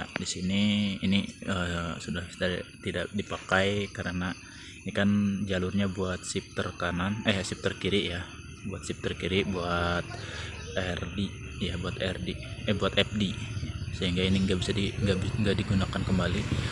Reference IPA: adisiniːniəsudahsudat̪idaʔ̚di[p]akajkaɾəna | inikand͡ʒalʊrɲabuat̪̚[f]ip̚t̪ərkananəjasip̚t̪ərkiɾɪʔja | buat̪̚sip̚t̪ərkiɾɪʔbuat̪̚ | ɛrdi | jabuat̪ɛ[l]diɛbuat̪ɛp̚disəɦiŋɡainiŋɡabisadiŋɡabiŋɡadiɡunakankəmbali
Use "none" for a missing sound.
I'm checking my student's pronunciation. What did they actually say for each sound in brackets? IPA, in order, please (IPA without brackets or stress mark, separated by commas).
p, s, r